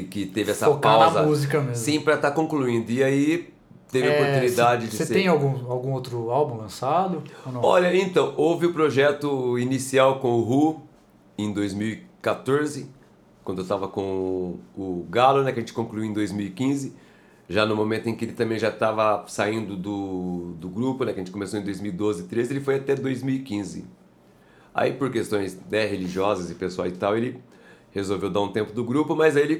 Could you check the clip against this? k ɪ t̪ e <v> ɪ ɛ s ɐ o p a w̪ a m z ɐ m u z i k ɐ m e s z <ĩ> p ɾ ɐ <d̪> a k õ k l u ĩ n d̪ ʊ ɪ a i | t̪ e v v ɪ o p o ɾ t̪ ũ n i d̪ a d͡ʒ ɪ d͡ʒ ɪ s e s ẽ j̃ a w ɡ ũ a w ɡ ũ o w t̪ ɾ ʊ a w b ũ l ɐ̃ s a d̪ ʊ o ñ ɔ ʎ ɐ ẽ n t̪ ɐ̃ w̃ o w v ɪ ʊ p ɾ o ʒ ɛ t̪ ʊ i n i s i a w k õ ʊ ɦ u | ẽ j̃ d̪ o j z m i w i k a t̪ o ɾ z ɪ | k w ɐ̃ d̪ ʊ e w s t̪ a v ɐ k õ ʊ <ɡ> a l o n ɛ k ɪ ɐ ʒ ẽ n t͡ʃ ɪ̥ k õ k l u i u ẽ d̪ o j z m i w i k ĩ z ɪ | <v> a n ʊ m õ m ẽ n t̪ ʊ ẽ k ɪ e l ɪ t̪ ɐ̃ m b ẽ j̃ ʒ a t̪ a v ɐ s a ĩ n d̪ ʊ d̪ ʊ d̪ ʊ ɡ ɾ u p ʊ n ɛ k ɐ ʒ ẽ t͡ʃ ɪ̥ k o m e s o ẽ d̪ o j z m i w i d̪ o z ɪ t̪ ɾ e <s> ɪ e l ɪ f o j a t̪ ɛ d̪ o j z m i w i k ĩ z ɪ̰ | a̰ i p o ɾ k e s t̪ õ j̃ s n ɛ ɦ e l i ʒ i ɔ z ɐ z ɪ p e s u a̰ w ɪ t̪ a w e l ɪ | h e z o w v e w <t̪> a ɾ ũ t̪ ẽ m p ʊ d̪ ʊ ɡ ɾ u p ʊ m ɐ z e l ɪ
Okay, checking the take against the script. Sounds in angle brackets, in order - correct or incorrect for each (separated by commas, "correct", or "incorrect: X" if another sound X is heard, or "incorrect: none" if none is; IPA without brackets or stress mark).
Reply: correct, correct, incorrect: t̪, correct, incorrect: ʒ, incorrect: z, incorrect: d̪